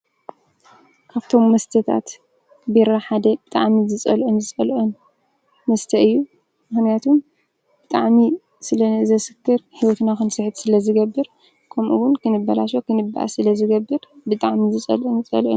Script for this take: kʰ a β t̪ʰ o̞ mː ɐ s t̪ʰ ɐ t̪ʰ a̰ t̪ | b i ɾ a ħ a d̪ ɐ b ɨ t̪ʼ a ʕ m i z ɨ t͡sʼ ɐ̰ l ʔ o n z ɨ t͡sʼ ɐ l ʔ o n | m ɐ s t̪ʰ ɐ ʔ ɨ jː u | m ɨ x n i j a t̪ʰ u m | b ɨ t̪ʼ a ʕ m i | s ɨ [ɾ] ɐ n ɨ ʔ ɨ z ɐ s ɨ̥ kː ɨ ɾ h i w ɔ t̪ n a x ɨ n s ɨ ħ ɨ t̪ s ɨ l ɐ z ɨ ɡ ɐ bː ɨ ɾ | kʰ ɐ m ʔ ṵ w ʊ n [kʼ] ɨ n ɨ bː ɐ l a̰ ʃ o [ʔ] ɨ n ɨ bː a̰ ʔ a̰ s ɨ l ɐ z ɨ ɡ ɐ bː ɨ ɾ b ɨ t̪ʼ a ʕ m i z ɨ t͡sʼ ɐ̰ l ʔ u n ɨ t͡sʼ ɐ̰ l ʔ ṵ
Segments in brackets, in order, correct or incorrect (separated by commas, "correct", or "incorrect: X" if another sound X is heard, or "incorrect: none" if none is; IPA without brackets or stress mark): incorrect: l, incorrect: k, incorrect: k